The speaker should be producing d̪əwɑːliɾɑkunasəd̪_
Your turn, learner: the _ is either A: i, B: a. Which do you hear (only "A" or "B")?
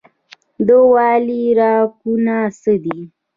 A